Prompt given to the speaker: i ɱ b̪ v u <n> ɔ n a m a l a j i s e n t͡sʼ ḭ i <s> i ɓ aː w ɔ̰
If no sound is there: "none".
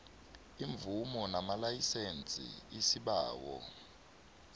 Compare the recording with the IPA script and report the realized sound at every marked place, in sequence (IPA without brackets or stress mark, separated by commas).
m, s